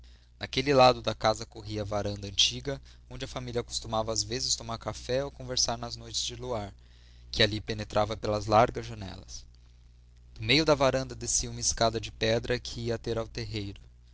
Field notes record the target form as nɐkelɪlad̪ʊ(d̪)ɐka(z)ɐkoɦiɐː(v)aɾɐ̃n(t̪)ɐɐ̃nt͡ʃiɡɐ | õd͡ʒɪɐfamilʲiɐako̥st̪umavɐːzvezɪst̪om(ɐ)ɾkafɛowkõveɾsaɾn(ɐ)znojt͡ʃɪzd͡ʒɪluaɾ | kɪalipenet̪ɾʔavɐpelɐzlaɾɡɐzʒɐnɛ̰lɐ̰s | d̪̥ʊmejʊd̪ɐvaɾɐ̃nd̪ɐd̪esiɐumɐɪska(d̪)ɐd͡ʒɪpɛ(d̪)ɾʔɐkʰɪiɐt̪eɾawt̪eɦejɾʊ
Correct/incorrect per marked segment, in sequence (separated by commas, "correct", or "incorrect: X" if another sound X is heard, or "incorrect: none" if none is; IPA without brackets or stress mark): correct, correct, correct, incorrect: d̪, incorrect: a, correct, correct, correct